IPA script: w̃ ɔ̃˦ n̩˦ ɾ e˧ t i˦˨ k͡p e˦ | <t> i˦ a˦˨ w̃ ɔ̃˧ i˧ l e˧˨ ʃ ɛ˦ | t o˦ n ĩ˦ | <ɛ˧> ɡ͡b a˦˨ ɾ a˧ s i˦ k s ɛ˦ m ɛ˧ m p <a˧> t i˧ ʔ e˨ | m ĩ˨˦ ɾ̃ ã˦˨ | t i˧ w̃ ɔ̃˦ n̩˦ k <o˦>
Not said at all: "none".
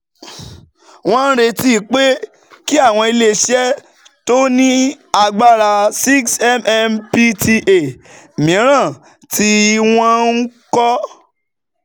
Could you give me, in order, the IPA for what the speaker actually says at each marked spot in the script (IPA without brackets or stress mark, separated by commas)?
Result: k, a˧, i˧, ɔ˦